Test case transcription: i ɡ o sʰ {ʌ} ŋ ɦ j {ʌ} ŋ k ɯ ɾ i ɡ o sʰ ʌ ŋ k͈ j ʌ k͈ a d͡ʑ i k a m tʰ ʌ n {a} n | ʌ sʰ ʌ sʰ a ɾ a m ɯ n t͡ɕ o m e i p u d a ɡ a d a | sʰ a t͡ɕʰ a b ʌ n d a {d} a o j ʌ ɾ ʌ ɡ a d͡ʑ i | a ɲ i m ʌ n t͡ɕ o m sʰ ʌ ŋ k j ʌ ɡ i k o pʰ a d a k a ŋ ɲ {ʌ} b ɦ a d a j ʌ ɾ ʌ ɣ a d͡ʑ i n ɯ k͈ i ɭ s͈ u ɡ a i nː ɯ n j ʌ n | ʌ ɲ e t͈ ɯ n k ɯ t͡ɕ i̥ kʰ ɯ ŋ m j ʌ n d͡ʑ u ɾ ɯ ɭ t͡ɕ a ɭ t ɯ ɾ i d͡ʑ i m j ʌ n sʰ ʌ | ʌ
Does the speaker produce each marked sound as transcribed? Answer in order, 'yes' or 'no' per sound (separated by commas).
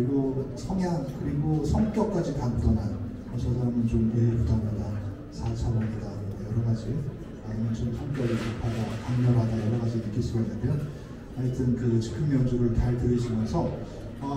yes, no, yes, yes, yes